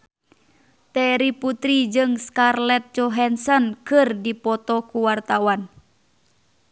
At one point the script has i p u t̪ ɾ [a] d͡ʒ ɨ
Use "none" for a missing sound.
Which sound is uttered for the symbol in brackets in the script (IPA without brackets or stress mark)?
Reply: i